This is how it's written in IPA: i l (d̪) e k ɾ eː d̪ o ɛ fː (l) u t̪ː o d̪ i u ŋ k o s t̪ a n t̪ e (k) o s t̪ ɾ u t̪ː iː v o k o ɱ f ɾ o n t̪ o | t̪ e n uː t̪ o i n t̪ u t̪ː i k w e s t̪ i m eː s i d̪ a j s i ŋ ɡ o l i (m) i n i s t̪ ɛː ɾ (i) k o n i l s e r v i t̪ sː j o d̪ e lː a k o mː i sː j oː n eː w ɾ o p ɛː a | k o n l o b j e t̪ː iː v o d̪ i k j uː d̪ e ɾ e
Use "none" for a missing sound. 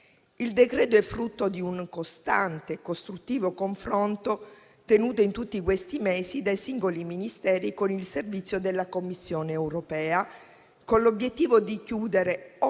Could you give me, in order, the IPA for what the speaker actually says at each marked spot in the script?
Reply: d̪, ɾ, k, m, i

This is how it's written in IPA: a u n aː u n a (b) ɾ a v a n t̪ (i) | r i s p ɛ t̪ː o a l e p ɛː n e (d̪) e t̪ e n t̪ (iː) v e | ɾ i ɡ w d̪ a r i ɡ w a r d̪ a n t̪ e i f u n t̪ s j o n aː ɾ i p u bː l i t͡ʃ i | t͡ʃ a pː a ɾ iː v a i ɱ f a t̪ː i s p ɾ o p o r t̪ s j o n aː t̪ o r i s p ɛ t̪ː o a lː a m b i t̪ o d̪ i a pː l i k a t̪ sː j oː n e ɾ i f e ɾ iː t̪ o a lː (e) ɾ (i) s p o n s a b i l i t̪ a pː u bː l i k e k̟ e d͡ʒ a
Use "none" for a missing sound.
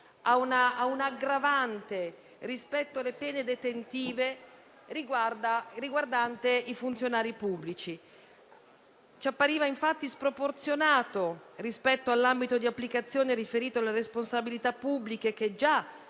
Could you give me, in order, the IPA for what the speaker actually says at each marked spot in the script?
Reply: ɡ, e, d̪, iː, e, e

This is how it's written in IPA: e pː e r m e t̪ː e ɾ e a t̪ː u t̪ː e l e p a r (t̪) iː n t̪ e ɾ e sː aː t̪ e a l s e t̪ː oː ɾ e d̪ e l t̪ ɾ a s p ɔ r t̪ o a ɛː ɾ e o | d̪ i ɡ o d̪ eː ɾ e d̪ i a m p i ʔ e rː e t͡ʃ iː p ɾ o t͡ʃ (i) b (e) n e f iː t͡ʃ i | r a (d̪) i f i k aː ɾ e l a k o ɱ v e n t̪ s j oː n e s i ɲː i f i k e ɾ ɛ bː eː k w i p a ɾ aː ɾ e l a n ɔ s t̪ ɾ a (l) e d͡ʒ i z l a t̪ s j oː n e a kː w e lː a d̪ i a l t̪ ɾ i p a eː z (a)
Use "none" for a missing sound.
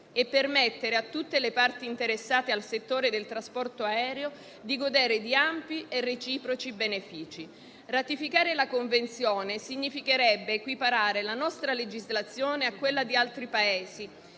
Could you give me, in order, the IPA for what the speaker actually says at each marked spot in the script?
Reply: t̪, i, e, t̪, l, i

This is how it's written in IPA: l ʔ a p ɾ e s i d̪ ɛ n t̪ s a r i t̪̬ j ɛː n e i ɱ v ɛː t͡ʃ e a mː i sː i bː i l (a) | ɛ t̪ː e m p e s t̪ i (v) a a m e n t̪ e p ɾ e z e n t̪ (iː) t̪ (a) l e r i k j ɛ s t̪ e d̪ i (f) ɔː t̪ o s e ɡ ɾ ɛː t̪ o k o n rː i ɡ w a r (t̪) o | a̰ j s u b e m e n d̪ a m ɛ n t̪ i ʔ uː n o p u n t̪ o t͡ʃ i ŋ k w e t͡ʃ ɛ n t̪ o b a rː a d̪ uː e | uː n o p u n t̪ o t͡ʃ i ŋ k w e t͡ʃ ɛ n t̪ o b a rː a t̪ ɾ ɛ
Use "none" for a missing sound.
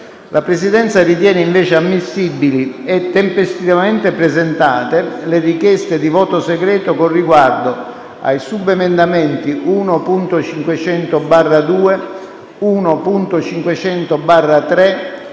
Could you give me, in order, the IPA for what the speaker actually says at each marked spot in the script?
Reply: i, v, aː, e, v, d̪

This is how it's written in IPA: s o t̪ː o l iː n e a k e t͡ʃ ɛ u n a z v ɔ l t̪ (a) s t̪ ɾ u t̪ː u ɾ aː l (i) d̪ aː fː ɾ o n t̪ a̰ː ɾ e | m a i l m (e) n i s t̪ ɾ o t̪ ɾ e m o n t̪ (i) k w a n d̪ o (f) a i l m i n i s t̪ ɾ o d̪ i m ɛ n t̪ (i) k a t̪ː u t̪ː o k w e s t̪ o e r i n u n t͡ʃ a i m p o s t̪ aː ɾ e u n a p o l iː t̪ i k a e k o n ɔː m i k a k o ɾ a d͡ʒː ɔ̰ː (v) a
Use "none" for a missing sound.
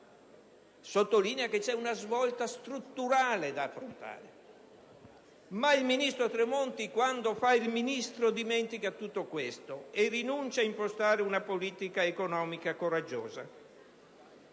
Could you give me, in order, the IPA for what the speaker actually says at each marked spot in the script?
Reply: a, e, i, i, f, i, z

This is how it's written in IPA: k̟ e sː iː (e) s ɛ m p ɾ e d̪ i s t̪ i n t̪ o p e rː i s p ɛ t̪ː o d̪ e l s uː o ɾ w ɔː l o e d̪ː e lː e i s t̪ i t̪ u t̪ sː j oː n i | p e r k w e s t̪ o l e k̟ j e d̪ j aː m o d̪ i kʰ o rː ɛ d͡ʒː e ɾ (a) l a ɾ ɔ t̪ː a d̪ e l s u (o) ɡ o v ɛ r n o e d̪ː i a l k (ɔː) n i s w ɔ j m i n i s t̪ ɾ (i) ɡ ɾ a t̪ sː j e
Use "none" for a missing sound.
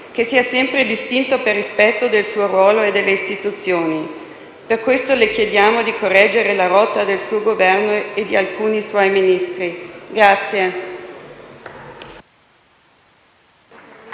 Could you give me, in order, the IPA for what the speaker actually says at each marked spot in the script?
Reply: a, e, o, uː, i

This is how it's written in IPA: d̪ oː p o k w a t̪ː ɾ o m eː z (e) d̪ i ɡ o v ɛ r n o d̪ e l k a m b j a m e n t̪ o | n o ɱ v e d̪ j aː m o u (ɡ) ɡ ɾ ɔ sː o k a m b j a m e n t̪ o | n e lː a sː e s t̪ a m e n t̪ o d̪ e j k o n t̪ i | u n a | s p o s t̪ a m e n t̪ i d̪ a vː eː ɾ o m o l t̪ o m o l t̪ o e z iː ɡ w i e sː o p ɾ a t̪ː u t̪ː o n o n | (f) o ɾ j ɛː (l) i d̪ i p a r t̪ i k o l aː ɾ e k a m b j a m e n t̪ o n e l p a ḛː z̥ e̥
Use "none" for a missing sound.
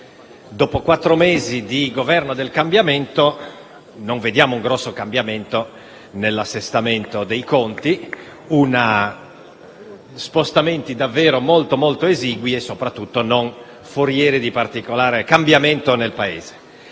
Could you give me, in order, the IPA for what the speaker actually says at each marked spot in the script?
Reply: i, ŋ, f, ɾ

